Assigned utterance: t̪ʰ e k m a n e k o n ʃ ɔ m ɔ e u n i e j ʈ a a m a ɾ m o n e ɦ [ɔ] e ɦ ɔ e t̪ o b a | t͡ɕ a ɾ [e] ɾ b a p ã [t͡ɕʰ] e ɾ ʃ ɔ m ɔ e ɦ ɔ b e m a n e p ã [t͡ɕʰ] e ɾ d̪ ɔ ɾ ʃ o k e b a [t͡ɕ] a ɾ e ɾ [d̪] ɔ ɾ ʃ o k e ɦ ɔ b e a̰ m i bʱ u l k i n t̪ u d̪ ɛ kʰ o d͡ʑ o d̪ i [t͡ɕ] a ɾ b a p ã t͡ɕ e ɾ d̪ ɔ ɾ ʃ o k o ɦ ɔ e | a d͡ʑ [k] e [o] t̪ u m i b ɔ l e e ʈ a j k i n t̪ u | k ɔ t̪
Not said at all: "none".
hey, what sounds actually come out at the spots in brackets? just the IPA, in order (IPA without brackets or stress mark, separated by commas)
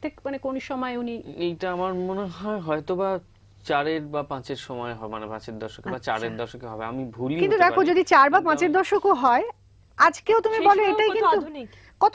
ɔ, e, t͡ɕ, t͡ɕ, t͡ɕ, d̪, t͡ɕ, k, o